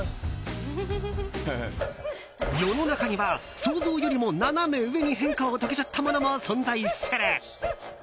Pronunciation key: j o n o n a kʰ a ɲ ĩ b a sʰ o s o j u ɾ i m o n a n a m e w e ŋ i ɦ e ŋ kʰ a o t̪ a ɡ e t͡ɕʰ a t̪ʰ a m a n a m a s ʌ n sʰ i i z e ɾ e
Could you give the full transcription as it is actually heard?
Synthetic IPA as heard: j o n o n a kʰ a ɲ i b a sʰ o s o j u ɾ i m o n a n a m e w e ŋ i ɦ e ŋ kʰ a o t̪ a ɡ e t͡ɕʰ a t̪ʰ a m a n a m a s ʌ n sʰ a i s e ɾ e